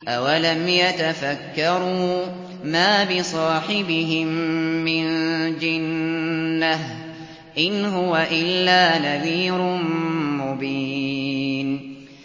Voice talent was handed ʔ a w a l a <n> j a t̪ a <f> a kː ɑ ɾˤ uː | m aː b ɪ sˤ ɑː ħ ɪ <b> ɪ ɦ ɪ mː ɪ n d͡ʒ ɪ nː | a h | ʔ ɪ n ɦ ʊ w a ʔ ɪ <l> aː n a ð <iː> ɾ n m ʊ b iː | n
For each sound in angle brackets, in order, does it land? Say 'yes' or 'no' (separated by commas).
no, yes, yes, no, yes